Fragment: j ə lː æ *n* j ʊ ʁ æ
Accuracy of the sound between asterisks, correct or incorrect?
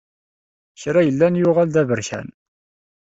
correct